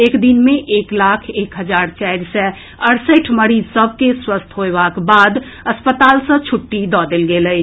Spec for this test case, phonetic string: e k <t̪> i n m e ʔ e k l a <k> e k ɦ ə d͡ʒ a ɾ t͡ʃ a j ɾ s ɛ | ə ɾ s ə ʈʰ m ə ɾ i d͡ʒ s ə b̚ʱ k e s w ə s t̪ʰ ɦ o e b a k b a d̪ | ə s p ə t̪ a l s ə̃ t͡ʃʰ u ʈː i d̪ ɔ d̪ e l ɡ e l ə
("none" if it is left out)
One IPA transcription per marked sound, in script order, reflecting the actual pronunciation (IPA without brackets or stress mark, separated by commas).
d̪, kʰ